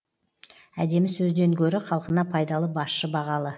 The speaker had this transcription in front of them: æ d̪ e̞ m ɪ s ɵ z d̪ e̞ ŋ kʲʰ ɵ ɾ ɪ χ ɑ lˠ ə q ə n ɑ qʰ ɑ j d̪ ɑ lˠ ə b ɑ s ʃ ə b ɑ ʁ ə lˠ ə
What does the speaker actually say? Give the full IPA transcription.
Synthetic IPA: æ d̪ e̞ m ɪ s ɵ z d̪ e̞ ŋ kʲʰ ɵ ɾ ɪ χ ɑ lˠ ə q ə n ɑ pʰ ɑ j d̪ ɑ lˠ ə b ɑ s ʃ ə b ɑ ʁ ɑ lˠ ə